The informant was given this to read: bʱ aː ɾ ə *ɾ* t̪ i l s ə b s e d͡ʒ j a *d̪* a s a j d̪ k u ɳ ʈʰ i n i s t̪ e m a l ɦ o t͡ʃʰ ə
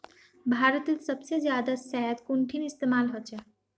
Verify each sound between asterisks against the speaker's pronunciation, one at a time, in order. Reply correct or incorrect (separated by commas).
incorrect, correct